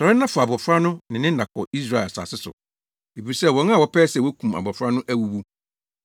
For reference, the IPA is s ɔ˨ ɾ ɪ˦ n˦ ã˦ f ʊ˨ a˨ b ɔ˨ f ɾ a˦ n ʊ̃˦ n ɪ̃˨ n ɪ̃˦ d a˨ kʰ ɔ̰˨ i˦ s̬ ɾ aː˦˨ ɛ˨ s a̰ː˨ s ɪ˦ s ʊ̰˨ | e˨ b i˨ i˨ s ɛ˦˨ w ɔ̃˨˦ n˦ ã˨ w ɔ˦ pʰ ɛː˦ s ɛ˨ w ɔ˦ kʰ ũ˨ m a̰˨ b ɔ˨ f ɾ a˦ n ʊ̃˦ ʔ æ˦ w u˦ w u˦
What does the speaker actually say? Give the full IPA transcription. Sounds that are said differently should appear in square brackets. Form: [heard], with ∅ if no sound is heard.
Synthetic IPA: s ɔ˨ ɾ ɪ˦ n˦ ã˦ f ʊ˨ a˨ b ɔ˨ f ɾ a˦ n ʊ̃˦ n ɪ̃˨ n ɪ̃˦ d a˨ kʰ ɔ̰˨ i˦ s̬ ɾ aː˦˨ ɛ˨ s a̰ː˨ s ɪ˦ s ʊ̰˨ | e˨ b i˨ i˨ s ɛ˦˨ w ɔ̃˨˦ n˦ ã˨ w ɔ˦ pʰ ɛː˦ s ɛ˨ w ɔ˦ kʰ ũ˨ m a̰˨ b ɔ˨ f ɾ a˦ n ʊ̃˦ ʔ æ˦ w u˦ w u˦